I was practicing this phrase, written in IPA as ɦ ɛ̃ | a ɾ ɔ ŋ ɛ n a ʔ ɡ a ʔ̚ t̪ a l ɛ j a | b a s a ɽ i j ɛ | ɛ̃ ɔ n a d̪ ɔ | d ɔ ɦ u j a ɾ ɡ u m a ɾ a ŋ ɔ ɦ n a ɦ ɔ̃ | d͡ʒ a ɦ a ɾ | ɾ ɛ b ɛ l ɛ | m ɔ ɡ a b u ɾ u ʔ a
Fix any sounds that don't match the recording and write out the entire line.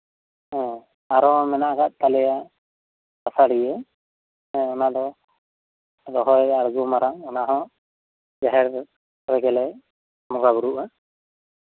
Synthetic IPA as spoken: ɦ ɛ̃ | a ɾ ɔ m ɛ n a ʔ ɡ a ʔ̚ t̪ a l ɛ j a | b a s a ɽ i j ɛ | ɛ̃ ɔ n a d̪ ɔ | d ɔ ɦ ɔ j a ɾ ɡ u m a ɾ a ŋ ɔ n a ɦ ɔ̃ | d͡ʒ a ɦ ɛ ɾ | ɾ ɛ ɡ ɛ l ɛ | m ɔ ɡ a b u ɾ u ʔ a